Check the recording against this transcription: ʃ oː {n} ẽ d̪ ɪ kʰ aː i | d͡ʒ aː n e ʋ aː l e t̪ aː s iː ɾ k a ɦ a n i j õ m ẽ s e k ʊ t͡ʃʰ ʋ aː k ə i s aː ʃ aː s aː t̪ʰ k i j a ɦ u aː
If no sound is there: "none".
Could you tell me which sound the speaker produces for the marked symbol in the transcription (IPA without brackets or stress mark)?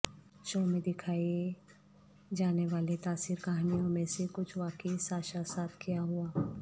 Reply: m